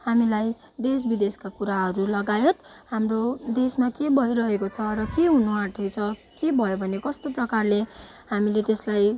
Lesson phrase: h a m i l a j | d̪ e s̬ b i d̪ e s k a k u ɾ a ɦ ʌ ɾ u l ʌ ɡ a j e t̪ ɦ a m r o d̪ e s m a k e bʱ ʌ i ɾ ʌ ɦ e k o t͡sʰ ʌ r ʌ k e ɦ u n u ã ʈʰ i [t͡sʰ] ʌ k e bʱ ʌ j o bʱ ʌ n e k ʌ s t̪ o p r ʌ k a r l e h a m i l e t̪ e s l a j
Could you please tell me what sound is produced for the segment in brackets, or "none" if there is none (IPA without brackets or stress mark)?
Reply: t͡sʰ